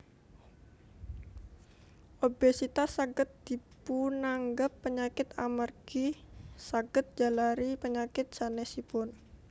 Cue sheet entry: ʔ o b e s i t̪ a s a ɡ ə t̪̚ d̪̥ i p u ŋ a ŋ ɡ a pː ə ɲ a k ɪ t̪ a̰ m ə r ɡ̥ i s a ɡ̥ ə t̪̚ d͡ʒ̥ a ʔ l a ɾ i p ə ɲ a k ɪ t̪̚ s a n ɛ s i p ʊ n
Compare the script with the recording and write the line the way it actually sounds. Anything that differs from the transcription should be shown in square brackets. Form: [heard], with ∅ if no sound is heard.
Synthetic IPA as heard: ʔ o b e s i t̪ a s a ɡ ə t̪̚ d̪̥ i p u [n] a ŋ ɡ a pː ə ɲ a k ɪ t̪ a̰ m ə r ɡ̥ i s a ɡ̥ ə t̪̚ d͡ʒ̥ a [∅] l a ɾ i p ə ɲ a k ɪ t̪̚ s a n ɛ s i p ʊ n